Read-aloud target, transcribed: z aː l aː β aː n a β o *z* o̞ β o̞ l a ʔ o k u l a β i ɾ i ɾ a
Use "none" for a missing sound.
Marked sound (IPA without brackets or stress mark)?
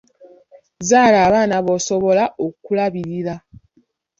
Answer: s